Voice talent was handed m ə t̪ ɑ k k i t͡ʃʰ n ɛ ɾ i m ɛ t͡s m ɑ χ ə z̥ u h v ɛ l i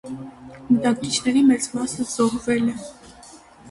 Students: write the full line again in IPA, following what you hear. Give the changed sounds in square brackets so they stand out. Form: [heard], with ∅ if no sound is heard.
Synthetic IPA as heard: m ə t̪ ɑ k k i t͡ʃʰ n ɛ ɾ i m ɛ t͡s m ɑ [s] ə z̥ [ɔ] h v ɛ l [ɛ]